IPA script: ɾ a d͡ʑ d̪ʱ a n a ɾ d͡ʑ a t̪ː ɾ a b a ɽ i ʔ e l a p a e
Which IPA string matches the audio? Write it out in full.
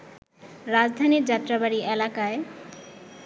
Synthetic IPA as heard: ɾ a d͡ʑ d̪ʱ a n i ɾ d͡ʑ a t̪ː ɾ a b a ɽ i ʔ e l a k a e